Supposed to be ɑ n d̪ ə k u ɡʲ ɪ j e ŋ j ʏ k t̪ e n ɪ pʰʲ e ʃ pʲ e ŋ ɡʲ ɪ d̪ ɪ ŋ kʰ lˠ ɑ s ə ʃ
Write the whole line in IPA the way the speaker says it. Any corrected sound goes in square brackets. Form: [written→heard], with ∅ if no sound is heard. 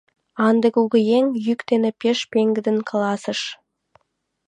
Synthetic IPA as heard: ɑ n d̪ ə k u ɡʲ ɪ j e ŋ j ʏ k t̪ e n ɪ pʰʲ e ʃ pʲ e ŋ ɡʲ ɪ d̪ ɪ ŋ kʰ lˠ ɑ s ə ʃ